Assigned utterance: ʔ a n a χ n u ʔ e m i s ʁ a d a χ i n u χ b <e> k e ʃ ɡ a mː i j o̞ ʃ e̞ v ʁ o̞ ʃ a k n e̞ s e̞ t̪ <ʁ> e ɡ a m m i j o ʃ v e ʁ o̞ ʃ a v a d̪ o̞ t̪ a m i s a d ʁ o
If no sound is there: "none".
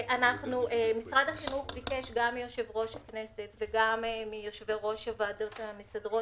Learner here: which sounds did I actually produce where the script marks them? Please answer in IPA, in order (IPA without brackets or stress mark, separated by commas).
i, v